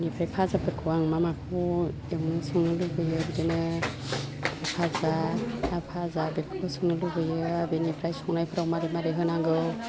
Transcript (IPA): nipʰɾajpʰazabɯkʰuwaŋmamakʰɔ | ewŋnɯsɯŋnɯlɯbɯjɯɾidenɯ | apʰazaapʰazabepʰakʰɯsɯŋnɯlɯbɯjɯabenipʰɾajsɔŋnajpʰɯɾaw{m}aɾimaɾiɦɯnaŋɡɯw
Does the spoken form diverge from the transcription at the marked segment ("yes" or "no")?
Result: no